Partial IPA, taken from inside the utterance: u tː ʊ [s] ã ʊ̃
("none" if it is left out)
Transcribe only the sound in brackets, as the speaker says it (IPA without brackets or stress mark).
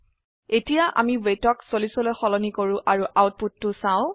s